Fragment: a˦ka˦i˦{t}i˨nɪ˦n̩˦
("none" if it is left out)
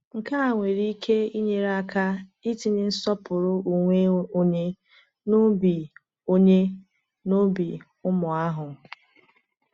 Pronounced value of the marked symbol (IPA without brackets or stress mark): t